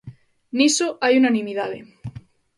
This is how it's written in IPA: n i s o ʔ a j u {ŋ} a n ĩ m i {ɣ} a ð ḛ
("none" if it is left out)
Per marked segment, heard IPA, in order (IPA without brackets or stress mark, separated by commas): n, ð